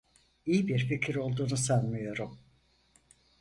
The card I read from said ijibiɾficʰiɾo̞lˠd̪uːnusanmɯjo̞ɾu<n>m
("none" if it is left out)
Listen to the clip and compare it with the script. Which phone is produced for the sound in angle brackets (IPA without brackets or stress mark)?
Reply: none